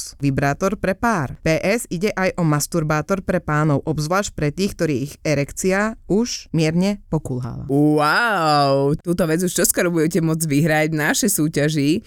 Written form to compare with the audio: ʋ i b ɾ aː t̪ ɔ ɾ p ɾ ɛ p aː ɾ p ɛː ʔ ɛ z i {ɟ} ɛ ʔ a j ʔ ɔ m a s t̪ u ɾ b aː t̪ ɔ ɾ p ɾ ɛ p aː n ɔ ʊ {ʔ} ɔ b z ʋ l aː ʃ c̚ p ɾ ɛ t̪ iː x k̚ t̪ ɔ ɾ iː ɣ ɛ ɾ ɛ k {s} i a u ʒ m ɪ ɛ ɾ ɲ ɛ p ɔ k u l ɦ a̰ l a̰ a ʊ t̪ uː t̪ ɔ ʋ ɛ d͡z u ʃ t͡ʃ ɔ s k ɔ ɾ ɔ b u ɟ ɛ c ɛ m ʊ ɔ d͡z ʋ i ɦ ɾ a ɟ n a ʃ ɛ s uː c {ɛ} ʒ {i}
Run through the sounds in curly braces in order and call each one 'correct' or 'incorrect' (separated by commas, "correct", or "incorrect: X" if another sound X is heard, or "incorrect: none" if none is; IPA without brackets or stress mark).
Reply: correct, correct, incorrect: t͡s, incorrect: a, correct